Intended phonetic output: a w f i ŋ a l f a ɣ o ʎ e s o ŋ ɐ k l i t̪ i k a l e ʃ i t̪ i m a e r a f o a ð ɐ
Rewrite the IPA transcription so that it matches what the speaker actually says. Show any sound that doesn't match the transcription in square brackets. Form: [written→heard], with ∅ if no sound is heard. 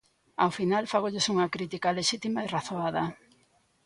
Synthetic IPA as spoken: a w f i [ŋ→n] a l f a ɣ o ʎ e s [o→u] ŋ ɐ k [l→ɾ] i t̪ i k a l e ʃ i t̪ i m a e r a [f→θ] o a ð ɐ